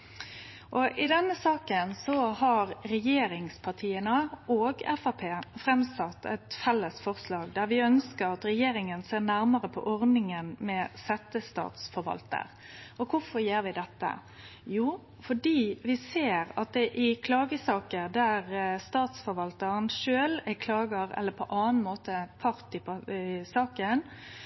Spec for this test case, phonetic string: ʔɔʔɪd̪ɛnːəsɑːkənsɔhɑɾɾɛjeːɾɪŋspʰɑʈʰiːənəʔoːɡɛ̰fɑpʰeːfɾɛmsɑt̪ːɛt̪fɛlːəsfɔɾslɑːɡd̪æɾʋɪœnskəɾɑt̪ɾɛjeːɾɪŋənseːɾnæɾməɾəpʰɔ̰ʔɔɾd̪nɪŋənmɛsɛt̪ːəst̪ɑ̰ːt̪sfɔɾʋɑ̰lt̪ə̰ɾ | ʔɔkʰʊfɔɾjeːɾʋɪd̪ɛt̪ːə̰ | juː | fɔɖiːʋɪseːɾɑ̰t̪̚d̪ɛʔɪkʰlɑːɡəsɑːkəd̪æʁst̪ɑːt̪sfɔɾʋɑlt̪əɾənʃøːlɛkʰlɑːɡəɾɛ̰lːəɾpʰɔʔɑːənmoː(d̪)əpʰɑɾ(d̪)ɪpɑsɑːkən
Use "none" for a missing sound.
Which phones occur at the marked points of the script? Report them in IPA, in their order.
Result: t̪, t̪

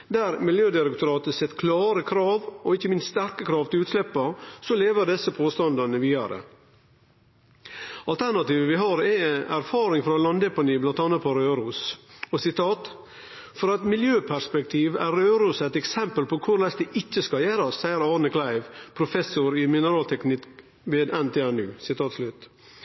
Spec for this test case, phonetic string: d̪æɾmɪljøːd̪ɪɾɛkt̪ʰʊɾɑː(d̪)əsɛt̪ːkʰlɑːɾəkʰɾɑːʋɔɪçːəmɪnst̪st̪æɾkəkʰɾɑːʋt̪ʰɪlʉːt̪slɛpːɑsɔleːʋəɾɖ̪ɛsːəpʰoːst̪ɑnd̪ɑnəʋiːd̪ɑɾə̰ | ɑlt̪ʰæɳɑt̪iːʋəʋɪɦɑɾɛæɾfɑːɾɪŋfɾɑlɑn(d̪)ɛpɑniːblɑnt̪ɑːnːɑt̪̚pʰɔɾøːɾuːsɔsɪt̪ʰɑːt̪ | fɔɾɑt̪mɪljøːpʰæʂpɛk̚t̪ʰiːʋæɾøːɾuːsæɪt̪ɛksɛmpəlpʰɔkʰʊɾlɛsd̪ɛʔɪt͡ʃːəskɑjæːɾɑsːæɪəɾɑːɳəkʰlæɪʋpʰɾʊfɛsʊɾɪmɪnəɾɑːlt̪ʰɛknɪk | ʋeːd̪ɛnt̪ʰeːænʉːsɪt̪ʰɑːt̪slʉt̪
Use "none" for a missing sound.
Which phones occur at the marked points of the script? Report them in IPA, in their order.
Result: t̪, d̪

